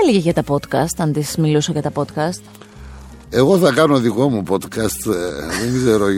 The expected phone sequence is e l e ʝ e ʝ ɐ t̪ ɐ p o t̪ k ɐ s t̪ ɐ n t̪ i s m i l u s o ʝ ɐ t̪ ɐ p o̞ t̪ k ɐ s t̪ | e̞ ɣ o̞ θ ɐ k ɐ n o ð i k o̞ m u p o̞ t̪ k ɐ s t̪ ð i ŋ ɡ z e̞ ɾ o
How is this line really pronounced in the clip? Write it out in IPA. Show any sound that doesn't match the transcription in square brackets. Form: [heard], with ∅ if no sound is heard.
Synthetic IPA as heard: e l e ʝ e ʝ ɐ t̪ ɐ p o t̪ k ɐ s t̪ ɐ n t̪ i s m i l u s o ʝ ɐ t̪ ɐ p o̞ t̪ k ɐ s t̪ | e̞ ɣ o̞ θ ɐ k ɐ n o ð i k o̞ m u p o̞ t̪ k ɐ s t̪ ð [e] ŋ ɡ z e̞ ɾ o